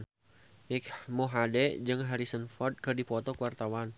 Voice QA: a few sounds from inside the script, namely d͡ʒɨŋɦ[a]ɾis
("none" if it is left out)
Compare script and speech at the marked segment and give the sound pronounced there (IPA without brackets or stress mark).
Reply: a